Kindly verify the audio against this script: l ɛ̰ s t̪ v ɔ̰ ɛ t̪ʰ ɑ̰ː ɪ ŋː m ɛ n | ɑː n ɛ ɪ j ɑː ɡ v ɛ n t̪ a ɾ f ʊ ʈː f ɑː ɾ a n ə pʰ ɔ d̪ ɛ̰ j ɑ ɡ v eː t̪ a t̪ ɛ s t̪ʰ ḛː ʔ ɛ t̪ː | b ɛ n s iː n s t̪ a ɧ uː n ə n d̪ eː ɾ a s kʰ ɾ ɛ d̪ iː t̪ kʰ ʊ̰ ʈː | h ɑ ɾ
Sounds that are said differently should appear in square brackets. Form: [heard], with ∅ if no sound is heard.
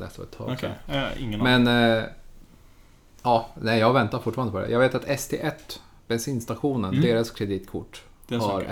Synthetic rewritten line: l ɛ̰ s t̪ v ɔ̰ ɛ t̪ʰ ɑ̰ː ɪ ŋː m ɛ n | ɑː n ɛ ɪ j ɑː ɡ v ɛ n t̪ a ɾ f ʊ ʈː f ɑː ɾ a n ə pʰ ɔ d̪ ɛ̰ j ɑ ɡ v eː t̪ a t̪ ɛ s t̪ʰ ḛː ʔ ɛ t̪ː | b ɛ n s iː n s t̪ a ɧ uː n ə n d̪ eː ɾ a s kʰ ɾ ɛ d̪ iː t̪ kʰ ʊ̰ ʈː | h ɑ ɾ